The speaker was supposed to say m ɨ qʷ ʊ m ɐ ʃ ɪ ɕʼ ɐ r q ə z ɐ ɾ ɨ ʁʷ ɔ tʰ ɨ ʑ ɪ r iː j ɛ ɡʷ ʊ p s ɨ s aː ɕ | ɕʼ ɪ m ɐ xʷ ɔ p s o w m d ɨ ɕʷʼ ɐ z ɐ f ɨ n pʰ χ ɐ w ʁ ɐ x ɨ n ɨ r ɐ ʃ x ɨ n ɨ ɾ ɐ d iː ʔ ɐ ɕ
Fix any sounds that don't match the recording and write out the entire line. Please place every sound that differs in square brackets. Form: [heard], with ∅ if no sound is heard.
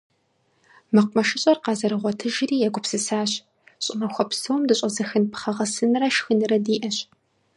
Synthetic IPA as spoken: m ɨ qʷ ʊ m ɐ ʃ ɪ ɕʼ ɐ r q [ɑ] z ɐ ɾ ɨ ʁʷ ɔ tʰ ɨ [ʒ] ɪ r iː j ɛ ɡʷ ʊ p s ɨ s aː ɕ | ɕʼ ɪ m ɐ xʷ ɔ p s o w m d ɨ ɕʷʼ ɐ z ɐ [x] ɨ n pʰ χ ɐ [∅] ʁ ɐ [s] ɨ n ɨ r ɐ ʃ x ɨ n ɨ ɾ ɐ d iː ʔ ɐ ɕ